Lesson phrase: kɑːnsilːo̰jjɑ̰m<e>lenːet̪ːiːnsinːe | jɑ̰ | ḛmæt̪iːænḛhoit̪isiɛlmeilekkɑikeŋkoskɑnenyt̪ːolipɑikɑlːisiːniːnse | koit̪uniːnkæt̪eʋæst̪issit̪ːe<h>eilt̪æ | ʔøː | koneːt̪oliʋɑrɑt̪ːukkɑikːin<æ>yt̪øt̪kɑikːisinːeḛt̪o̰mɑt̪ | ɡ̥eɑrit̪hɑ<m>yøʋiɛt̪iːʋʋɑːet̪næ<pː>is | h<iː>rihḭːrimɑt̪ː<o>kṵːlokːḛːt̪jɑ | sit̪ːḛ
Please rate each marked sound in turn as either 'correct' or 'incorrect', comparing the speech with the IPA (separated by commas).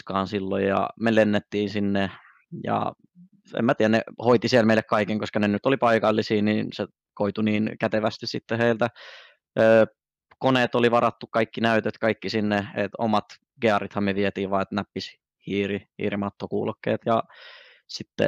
correct, correct, correct, correct, correct, correct, correct